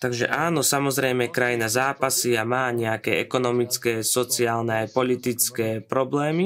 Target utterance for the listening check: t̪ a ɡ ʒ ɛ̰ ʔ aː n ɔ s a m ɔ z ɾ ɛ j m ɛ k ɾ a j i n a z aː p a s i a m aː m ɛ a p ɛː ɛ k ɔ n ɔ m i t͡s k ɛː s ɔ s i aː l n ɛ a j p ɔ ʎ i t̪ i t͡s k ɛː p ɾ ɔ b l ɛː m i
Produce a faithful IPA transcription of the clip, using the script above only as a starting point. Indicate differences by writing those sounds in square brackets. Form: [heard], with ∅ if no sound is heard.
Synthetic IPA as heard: t̪ a ɡ ʒ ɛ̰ ʔ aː n ɔ s a m ɔ z ɾ ɛ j m ɛ k ɾ a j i n a z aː p a s i a m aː [ɲ] ɛ a [k] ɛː ɛ k ɔ n ɔ m i t͡s k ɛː s ɔ [t͡s] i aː l n ɛ a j p ɔ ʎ i t̪ i t͡s k ɛː p ɾ ɔ b l ɛː m i